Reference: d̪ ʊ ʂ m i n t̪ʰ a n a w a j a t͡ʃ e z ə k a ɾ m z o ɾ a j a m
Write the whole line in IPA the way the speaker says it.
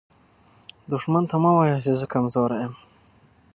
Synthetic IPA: d̪ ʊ ʂ m a n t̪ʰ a m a w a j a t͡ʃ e z ə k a m z o ɾ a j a m